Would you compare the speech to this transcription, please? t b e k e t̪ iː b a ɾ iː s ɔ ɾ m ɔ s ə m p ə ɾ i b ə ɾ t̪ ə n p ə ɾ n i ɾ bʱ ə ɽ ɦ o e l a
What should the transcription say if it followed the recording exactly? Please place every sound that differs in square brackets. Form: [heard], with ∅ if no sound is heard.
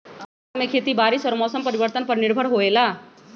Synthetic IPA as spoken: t [m] e [kʰ] e t̪ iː b a ɾ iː s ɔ ɾ m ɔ s ə m p ə ɾ i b ə ɾ t̪ ə n p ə ɾ n i ɾ bʱ ə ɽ ɦ o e l a